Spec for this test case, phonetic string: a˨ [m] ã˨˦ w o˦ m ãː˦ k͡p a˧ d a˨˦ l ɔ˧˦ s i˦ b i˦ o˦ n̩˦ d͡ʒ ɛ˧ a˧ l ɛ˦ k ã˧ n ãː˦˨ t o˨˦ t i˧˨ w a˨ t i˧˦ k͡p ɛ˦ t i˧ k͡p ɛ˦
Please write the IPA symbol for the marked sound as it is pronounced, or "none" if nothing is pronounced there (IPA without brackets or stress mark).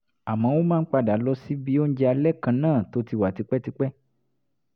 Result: m